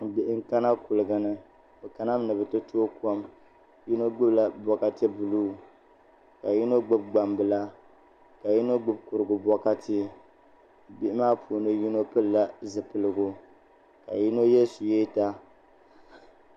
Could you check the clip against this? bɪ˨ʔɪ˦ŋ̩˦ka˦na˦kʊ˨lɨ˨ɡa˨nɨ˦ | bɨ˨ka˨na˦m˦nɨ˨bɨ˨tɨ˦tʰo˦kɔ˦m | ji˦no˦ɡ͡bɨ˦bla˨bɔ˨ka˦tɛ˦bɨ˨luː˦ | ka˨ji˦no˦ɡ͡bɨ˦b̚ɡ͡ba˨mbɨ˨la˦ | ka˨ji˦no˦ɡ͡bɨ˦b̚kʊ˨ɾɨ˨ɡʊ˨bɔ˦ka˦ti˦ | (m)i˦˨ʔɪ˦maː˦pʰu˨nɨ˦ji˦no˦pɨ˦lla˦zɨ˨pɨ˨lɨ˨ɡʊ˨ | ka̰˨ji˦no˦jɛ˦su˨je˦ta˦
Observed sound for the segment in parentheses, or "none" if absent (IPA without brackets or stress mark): b